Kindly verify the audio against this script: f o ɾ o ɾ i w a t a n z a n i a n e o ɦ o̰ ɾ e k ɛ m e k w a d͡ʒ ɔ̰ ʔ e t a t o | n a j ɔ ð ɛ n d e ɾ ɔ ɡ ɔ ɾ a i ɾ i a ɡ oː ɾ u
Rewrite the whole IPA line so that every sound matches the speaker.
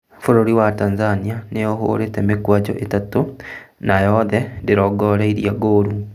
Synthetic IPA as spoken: f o ɾ o ɾ i w a t a n z a n i a n e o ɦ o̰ ɾ e t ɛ m e k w a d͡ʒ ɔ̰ ʔ e t a t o | n a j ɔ ð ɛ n d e ɾ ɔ ɡ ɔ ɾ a i ɾ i a ɡ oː ɾ u